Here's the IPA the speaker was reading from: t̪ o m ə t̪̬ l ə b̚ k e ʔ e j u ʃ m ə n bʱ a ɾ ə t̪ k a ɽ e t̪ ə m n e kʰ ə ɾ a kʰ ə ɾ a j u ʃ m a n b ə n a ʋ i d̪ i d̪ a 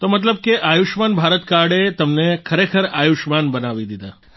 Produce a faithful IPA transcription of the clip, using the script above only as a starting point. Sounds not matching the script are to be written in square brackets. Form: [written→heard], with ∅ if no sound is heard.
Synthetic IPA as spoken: t̪ o m ə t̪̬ l ə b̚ k e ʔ [e→a] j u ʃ m [ə→a] n bʱ a ɾ ə t̪ k a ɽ e t̪ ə m n e kʰ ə ɾ [a→e] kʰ ə ɾ a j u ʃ m a n b ə n a ʋ i d̪ i d̪ a